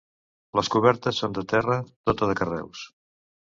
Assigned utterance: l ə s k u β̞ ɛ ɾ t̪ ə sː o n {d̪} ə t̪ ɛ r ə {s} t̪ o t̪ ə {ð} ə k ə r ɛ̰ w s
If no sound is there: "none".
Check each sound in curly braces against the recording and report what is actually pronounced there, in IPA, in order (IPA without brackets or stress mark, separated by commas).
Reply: d̪, none, ð